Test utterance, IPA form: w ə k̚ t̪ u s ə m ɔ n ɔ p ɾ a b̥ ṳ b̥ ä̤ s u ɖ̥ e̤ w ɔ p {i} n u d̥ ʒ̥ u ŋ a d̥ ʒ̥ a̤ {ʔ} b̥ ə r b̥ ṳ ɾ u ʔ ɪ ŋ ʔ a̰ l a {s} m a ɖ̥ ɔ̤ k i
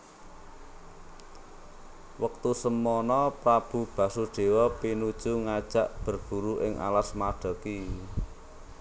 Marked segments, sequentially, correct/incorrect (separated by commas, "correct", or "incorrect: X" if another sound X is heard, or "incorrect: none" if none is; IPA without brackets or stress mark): correct, correct, correct